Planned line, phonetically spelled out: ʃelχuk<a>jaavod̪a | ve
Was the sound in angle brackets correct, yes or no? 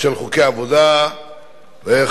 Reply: no